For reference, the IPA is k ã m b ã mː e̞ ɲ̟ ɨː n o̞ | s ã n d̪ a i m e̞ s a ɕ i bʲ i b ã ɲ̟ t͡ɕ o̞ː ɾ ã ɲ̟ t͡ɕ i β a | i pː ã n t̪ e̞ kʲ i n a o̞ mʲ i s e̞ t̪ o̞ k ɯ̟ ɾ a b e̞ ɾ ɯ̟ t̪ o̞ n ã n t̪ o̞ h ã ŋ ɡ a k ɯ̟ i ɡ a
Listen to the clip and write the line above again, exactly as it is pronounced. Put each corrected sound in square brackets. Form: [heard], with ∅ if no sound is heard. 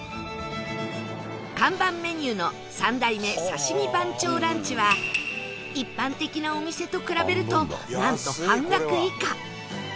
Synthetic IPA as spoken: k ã m b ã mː e̞ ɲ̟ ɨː n o̞ | s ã n d̪ a i m e̞ s a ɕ i [mʲ] i b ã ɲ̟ t͡ɕ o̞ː ɾ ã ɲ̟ t͡ɕ i β a | i pː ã n t̪ e̞ kʲ i n a o̞ mʲ i s e̞ t̪ o̞ k ɯ̟ ɾ a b e̞ ɾ ɯ̟ t̪ o̞ n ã n t̪ o̞ h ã ŋ ɡ a k ɯ̟ i [k] a